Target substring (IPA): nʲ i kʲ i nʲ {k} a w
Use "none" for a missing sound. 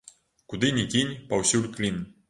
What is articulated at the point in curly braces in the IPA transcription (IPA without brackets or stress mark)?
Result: p